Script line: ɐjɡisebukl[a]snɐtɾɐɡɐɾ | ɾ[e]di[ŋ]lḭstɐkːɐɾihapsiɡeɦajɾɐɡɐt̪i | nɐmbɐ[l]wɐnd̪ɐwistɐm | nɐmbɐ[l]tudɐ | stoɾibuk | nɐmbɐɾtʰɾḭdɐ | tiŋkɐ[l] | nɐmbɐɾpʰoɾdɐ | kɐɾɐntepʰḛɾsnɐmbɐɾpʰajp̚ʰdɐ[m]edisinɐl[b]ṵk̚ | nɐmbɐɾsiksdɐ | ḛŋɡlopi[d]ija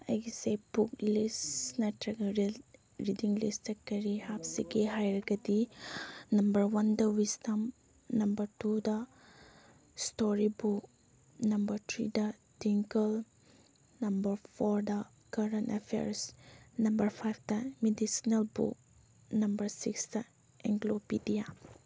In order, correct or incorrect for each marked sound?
incorrect: i, incorrect: i, correct, incorrect: ɾ, incorrect: ɾ, correct, correct, correct, correct

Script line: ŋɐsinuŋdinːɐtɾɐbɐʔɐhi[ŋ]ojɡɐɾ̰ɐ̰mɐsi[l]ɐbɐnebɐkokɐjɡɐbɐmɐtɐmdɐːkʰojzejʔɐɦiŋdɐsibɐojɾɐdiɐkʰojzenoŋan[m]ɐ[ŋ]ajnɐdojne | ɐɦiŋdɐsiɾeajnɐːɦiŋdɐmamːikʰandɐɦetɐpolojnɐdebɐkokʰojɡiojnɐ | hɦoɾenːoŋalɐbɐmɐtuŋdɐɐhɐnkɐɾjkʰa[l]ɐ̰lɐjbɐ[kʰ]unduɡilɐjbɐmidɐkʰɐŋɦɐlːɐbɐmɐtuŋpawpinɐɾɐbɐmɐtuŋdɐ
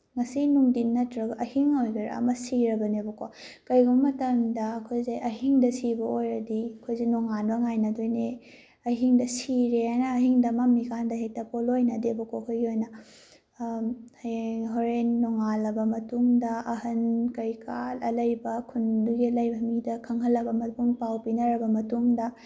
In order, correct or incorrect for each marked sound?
correct, incorrect: ɾ, incorrect: b, correct, correct, correct

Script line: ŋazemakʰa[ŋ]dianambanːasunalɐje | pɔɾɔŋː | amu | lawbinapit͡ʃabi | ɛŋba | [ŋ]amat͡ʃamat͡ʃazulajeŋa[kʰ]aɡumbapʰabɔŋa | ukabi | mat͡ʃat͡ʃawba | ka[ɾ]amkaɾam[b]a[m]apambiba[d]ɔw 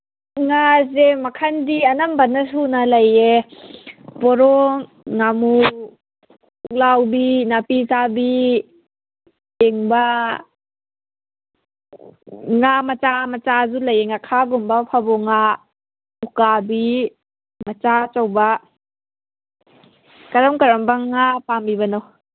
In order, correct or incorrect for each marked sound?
incorrect: n, correct, correct, correct, correct, incorrect: ŋ, incorrect: n

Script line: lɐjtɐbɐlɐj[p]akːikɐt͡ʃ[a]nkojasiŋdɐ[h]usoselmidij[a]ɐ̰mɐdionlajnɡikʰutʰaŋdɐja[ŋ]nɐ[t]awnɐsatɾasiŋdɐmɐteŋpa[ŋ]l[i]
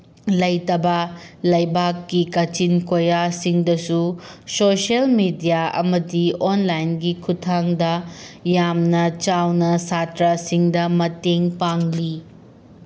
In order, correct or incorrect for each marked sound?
incorrect: b, incorrect: i, incorrect: s, correct, incorrect: m, incorrect: t͡ʃ, correct, correct

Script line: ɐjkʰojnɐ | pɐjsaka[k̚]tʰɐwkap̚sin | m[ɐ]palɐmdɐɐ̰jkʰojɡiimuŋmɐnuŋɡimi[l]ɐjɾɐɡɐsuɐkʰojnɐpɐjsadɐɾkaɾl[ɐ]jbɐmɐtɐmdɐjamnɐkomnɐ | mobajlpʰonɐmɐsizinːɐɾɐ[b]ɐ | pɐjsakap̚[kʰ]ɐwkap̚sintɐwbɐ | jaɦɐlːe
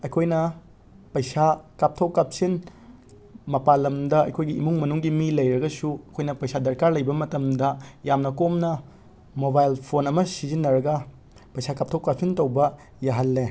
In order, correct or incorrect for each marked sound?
incorrect: p̚, correct, correct, correct, incorrect: ɡ, incorrect: tʰ

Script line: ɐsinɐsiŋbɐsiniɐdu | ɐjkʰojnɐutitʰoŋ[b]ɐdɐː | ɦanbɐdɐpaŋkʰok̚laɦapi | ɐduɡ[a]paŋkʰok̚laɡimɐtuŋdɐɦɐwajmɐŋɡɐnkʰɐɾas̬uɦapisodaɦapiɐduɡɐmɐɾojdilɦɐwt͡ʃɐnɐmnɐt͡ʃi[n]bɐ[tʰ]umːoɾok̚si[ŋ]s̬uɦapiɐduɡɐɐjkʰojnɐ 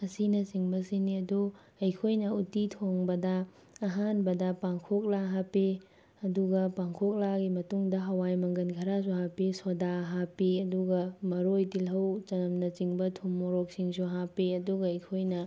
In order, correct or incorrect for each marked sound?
correct, incorrect: ɐ, incorrect: ŋ, correct, correct

